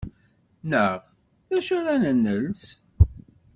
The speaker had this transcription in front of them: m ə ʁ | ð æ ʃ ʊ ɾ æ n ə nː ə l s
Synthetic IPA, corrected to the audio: n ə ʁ | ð æ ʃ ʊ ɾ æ n ə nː ə l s